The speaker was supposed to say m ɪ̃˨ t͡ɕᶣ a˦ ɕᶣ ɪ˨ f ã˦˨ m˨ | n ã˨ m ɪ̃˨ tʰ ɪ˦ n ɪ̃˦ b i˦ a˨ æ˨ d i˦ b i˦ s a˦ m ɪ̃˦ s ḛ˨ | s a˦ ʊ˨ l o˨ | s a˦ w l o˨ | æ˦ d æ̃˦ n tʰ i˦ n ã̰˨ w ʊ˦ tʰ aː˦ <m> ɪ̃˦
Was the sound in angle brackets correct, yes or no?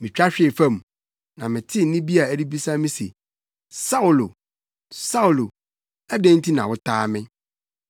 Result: yes